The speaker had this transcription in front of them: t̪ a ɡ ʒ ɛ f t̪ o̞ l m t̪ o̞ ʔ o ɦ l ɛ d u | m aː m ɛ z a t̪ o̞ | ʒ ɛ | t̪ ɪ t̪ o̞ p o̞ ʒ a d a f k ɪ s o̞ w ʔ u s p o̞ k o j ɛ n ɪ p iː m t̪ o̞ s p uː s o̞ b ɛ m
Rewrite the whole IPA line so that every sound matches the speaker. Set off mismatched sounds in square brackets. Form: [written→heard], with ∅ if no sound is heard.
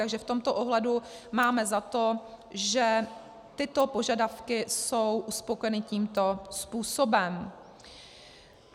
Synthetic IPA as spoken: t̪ a ɡ ʒ ɛ f t̪ o̞ [l→∅] m t̪ o̞ ʔ o ɦ l ɛ d u | m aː m ɛ z a t̪ o̞ | ʒ ɛ | t̪ ɪ t̪ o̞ p o̞ ʒ a d a f k ɪ s o̞ w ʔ u s p o̞ k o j ɛ n ɪ [p→c] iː m t̪ o̞ s p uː s o̞ b ɛ m

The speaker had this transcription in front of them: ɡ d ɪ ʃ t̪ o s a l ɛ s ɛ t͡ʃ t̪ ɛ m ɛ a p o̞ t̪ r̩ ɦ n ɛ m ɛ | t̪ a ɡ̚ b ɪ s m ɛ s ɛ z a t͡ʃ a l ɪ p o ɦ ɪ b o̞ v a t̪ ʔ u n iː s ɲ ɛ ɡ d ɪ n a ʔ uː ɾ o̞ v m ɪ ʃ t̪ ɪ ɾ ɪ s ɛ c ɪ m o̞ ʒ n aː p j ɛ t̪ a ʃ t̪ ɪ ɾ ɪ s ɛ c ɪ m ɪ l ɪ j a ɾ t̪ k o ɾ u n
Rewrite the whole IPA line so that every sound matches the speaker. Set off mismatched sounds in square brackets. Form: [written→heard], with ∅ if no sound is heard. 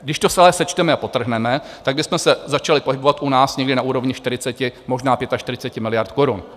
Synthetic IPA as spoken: ɡ d ɪ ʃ t̪ o s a l ɛ s ɛ t͡ʃ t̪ ɛ m ɛ a p o̞ t̪ r̩ ɦ n ɛ m ɛ | t̪ a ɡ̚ b ɪ s m ɛ s ɛ z a t͡ʃ a l ɪ p o ɦ ɪ b o̞ v a t̪ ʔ u n [iː→aː] s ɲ ɛ ɡ d ɪ n a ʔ uː ɾ o̞ v [m→ɲ] ɪ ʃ t̪ ɪ ɾ ɪ [s→t͡s] ɛ c ɪ m o̞ ʒ n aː p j ɛ t̪ a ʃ t̪ ɪ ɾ ɪ [s→t͡s] ɛ c ɪ m ɪ l ɪ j a ɾ t̪ k o ɾ u n

